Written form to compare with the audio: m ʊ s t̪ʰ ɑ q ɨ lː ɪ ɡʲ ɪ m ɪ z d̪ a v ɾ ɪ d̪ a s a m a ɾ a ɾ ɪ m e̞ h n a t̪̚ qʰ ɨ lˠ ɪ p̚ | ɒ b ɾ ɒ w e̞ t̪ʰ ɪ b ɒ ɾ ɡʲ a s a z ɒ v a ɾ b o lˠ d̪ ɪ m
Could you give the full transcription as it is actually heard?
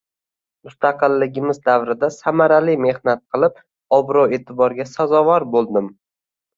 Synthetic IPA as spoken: m ʊ s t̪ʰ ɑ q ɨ lː ɪ ɡʲ ɪ m ɪ z d̪ a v ɾ ɪ d̪ a s a m a ɾ a l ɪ m e̞ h n a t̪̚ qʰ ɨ lˠ ɪ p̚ | ɒ b ɾ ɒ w e̞ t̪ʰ ɪ b ɒ ɾ ɡʲ a s a z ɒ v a ɾ b o lˠ d̪ ɪ m